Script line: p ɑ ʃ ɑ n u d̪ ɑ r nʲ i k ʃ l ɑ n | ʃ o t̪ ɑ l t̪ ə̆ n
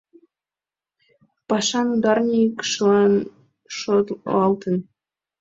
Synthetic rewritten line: p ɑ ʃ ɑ n u d̪ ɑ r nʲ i k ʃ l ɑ n | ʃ o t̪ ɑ l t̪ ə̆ n